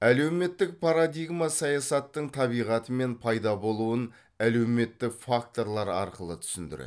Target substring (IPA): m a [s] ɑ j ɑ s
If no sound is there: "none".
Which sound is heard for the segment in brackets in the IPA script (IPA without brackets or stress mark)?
s